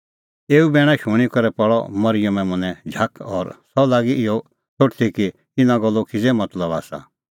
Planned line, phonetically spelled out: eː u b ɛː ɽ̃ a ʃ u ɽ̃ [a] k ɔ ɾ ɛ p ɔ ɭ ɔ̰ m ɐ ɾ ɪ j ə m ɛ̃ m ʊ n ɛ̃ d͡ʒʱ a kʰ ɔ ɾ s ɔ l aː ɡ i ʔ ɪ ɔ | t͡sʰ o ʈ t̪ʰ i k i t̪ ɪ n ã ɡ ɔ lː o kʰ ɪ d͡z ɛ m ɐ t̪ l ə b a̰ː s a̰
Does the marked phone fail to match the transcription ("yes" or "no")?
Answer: yes